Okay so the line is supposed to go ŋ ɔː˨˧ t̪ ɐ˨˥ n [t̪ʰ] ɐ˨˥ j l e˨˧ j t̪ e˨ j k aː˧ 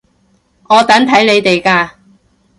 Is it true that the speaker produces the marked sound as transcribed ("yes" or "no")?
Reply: yes